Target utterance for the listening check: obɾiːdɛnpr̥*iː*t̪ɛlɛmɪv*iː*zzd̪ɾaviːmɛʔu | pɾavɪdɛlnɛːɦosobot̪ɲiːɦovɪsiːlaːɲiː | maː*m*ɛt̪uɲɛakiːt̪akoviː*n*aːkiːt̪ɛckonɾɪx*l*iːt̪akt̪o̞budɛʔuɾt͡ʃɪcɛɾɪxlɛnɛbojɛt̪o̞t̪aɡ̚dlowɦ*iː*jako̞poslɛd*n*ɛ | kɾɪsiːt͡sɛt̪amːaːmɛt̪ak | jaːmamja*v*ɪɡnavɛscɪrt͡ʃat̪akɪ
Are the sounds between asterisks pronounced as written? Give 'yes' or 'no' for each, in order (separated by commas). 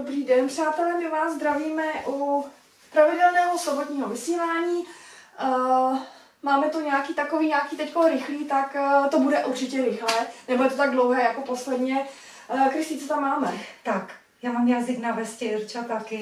no, no, yes, no, yes, no, no, no